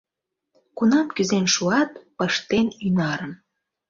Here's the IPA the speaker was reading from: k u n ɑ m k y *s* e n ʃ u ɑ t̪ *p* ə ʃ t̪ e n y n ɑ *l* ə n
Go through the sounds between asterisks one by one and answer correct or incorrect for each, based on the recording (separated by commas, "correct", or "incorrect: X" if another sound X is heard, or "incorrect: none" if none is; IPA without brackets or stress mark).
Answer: incorrect: z, correct, incorrect: ɾ